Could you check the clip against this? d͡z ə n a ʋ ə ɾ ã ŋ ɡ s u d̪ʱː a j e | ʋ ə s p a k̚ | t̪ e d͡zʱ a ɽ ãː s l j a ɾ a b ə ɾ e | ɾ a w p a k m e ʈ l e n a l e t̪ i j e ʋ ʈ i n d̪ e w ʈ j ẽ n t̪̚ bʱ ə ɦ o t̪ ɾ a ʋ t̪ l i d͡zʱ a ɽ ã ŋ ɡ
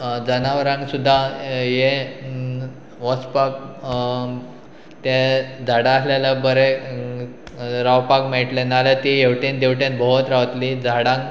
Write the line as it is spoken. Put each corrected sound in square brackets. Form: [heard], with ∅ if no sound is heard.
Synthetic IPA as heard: d͡z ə n a ʋ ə ɾ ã ŋ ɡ s u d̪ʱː a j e | ʋ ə s p a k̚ | t̪ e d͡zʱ a ɽ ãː s l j a [l] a b ə ɾ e | ɾ a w p a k m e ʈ l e n a l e t̪ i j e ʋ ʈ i n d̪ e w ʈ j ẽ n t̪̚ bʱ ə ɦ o t̪ ɾ a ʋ t̪ l i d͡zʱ a ɽ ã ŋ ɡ